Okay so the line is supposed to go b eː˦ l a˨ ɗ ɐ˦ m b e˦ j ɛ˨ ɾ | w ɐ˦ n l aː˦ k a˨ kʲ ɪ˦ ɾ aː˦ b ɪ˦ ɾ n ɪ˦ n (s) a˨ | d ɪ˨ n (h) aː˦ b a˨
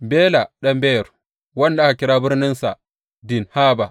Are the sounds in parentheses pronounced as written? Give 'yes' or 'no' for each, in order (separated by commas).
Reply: yes, yes